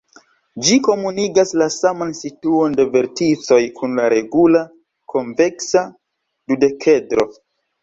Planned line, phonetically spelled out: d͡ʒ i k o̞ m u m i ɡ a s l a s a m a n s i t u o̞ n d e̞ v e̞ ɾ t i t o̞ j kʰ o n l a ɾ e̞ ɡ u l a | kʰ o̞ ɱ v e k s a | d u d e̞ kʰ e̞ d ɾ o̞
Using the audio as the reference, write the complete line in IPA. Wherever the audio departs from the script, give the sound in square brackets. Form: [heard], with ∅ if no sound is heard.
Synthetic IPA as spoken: d͡ʒ i k o̞ m u [n] i ɡ a s l a s a m a n s i t u o̞ n d e̞ v e̞ ɾ t i [t͡s] o̞ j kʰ [u] n l a ɾ e̞ ɡ u l a | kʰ o̞ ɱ v e k s a | d u d e̞ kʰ e̞ d ɾ o̞